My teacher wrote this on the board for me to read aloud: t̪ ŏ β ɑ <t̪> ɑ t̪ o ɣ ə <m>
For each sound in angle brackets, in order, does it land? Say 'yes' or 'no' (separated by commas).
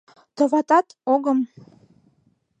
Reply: yes, yes